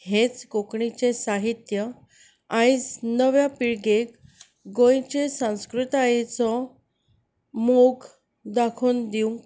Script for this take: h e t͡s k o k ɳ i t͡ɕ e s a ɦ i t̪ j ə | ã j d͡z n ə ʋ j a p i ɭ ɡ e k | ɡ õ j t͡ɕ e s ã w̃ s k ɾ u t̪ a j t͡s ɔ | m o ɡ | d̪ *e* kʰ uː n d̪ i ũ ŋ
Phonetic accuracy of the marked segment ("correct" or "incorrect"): incorrect